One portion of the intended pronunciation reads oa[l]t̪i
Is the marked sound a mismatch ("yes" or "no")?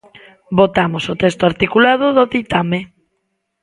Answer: yes